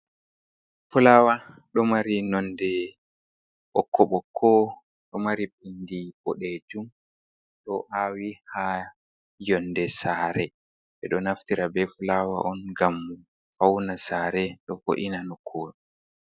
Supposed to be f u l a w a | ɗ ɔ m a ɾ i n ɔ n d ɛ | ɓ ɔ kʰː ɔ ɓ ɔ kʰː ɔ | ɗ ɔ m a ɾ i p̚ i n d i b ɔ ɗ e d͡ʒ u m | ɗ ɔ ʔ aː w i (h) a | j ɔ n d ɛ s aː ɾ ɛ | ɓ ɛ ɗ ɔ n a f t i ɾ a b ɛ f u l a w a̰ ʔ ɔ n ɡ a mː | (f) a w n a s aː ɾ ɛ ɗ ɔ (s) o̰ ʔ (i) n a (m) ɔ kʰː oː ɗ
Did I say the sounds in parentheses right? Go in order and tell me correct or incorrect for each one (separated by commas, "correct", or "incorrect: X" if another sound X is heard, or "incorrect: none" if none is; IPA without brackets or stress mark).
correct, correct, incorrect: f, correct, incorrect: n